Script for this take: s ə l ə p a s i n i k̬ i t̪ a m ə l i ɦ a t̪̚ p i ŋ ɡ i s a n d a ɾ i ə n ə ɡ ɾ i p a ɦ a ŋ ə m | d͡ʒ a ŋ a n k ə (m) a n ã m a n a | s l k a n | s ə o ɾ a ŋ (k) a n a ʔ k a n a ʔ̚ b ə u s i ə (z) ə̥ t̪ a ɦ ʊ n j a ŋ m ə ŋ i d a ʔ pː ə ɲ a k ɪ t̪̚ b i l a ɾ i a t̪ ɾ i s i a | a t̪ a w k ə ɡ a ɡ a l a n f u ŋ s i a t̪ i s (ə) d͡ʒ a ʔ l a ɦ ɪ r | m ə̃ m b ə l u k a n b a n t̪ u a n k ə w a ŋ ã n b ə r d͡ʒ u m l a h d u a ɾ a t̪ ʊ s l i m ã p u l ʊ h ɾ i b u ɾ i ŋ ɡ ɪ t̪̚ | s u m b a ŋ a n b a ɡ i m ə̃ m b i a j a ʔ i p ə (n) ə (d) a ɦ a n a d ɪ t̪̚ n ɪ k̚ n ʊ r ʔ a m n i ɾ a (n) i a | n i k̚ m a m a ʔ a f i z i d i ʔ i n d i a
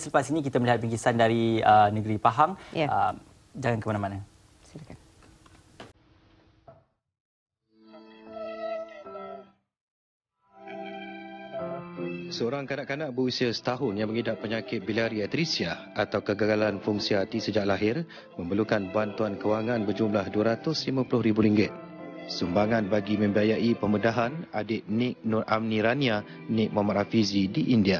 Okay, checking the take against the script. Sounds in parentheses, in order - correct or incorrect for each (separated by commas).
correct, correct, incorrect, correct, incorrect, correct, correct